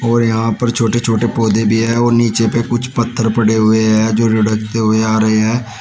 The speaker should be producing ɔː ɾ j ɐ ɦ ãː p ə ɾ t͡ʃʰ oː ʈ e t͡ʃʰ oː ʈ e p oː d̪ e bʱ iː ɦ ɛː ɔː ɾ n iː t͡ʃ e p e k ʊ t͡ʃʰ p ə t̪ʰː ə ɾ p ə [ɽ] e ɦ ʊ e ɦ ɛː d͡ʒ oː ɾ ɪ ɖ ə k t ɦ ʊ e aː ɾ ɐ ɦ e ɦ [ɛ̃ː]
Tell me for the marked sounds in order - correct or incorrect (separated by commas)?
correct, incorrect